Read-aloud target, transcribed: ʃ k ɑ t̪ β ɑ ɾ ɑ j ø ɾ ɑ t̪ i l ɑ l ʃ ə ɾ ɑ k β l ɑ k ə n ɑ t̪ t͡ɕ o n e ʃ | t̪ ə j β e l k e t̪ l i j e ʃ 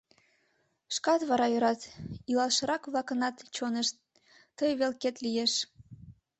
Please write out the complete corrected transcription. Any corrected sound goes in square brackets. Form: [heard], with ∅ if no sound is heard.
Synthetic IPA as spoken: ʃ k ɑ t̪ β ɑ ɾ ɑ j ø ɾ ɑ t̪ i l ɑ l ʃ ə ɾ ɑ k β l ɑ k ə n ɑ t̪ t͡ɕ o n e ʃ | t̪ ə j β e l k e t̪ l i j e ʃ

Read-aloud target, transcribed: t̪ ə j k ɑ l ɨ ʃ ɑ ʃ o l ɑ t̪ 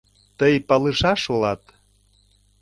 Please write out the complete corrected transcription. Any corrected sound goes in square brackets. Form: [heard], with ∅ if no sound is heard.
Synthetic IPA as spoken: t̪ ə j [p] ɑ l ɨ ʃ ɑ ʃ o l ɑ t̪

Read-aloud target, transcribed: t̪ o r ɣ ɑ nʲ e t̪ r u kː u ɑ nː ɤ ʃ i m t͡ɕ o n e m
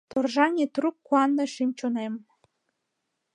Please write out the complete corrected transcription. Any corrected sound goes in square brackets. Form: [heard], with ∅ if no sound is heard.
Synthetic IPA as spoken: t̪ o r [ʒ] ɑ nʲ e t̪ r u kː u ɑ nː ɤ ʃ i m t͡ɕ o n e m

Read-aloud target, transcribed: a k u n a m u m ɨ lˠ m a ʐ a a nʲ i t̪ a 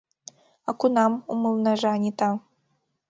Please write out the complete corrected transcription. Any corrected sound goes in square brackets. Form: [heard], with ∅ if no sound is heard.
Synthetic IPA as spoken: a k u n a m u m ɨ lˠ [n] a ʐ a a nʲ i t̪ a

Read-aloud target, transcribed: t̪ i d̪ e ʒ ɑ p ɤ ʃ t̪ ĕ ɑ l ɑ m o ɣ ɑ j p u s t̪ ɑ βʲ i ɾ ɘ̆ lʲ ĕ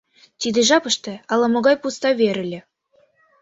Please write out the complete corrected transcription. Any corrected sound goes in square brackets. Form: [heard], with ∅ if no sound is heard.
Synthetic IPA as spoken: t̪ i d̪ e ʒ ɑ p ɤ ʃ t̪ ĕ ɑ l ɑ m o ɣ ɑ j p u s t̪ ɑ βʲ [e] ɾ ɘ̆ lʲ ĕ

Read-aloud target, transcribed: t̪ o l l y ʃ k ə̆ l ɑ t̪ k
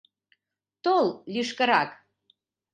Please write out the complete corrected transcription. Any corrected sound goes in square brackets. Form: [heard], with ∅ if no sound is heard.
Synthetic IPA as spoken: t̪ o l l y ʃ k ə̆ [ɾ] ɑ [∅] k

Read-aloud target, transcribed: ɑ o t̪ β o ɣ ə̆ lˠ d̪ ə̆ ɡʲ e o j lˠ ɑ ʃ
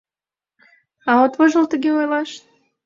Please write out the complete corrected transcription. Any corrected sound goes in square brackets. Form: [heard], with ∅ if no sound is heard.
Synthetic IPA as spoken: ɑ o t̪ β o [ʒ] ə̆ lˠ [t̪] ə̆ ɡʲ e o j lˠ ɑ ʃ

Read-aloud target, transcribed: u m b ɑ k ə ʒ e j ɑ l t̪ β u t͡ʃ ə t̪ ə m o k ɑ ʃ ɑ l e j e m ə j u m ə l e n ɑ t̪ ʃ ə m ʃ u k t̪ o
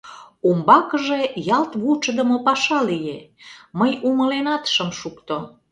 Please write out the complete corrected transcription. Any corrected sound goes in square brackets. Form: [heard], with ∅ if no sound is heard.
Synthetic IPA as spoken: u m b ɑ k ə ʒ e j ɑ l t̪ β u t͡ʃ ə [d̪] ə m o [p] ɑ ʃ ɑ l [i] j e m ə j u m ə l e n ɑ t̪ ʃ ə m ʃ u k t̪ o

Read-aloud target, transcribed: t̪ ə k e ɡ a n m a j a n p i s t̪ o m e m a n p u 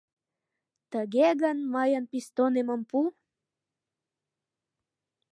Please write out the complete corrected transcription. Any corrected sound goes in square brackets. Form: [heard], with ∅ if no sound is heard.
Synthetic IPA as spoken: t̪ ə [ɡ] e ɡ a n m a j a n p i s t̪ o [n] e m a [m] p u

